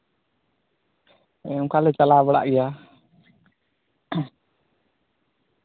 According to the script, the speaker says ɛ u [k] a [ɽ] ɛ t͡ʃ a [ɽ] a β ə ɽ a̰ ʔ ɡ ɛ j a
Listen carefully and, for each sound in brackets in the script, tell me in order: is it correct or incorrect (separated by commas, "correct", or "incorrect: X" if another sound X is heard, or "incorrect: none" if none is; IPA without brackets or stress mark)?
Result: correct, incorrect: l, incorrect: l